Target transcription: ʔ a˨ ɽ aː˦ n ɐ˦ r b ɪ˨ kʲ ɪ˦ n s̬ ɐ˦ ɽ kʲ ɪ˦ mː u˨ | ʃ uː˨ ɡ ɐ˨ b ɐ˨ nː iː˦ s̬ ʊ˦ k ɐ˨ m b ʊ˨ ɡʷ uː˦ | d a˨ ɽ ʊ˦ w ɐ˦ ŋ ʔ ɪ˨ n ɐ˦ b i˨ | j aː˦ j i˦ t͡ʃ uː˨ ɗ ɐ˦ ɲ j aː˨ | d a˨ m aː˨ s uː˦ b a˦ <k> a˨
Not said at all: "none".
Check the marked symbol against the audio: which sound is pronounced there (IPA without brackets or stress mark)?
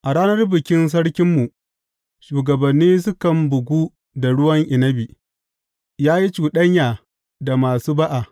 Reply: ʔ